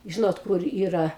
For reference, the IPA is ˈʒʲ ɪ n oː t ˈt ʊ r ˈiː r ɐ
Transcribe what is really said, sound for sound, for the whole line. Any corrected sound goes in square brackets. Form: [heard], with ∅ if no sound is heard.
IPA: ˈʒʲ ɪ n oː t [ˈk] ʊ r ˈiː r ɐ